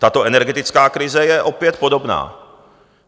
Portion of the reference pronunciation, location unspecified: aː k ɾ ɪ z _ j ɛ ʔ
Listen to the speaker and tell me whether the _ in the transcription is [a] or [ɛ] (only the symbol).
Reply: ɛ